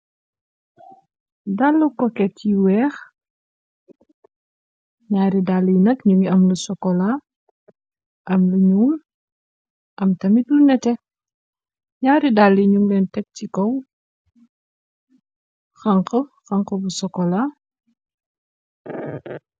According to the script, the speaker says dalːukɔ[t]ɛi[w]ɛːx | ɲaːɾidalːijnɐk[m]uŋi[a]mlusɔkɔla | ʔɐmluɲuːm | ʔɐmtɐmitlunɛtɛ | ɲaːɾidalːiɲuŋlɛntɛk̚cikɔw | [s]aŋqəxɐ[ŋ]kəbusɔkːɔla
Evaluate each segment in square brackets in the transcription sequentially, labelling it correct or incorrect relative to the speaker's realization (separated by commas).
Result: incorrect, correct, incorrect, incorrect, incorrect, correct